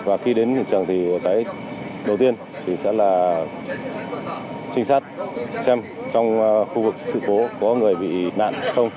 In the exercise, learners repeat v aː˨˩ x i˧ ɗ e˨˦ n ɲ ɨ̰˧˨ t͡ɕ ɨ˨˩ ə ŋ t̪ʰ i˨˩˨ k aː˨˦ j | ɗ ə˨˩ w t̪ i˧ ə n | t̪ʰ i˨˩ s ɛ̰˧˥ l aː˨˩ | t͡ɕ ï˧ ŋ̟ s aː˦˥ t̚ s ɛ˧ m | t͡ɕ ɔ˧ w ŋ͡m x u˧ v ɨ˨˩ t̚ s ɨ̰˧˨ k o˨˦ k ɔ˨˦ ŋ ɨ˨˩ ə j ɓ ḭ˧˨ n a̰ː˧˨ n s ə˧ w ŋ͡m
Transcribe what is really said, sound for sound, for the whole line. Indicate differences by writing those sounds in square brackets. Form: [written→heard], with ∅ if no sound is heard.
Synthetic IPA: v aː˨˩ x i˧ ɗ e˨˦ n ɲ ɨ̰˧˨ t͡ɕ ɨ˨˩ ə ŋ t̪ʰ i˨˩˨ k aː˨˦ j | ɗ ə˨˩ w t̪ i˧ ə n | t̪ʰ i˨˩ s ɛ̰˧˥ l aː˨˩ | t͡ɕ ï˧ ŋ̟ s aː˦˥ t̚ s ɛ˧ m | t͡ɕ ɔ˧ w ŋ͡m x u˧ v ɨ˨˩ [t̚→k̚] s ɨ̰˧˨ k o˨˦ k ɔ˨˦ ŋ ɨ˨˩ ə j ɓ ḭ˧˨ n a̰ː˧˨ n [s→x] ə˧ w ŋ͡m